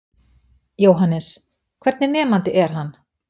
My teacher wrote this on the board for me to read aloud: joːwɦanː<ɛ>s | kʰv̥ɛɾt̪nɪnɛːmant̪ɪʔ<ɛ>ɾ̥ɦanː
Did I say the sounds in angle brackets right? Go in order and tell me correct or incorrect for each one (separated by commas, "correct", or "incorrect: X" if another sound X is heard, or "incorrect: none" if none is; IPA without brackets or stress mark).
correct, correct